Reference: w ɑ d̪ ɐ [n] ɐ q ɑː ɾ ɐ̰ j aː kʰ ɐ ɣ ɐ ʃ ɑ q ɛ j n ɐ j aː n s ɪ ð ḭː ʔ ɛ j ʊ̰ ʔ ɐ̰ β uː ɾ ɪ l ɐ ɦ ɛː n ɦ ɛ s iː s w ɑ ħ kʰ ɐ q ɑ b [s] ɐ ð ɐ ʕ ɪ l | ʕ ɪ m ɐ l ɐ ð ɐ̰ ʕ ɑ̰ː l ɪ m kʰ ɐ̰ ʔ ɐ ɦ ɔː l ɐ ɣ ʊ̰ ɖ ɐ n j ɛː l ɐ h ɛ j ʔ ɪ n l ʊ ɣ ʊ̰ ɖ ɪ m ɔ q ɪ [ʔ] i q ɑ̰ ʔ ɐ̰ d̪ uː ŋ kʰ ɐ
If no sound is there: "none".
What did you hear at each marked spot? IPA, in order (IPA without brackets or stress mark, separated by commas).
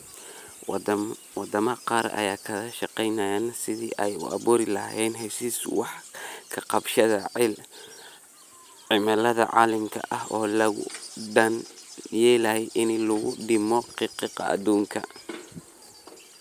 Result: m, ʃ, q